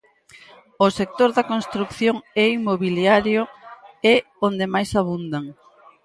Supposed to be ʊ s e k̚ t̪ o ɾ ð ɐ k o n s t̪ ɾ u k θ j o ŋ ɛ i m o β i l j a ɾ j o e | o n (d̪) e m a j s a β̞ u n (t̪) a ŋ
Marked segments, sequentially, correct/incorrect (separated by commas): correct, incorrect